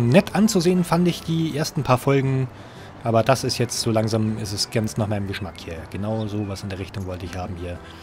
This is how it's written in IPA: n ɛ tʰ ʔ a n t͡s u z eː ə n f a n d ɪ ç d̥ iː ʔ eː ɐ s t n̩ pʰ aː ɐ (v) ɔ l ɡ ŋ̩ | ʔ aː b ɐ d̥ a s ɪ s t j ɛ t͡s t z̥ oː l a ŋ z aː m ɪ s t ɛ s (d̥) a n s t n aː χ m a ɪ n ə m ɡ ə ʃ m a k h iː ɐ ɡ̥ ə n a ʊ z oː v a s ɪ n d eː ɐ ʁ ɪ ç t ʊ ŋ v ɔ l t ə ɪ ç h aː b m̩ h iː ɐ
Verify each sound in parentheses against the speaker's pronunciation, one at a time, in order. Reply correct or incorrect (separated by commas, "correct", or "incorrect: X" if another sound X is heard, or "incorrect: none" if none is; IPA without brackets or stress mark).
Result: incorrect: f, incorrect: ɡ̥